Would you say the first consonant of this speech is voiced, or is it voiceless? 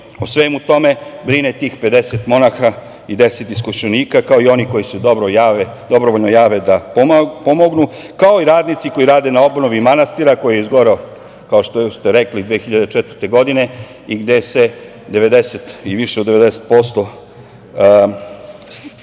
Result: voiceless